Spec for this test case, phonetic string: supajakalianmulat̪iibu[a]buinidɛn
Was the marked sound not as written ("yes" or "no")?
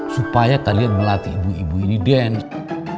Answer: yes